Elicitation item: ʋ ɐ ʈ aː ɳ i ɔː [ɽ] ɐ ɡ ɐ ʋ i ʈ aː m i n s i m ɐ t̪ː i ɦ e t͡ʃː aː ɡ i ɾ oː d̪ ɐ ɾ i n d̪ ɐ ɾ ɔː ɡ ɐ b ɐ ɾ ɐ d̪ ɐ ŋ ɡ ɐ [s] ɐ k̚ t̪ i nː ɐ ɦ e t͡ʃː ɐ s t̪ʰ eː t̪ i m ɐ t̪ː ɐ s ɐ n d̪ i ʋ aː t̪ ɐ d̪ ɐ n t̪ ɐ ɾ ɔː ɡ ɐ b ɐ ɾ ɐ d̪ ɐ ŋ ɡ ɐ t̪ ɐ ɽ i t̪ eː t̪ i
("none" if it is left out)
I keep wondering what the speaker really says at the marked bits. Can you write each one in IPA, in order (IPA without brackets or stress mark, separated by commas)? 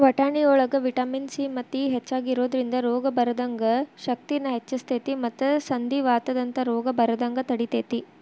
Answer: ɭ, ʃ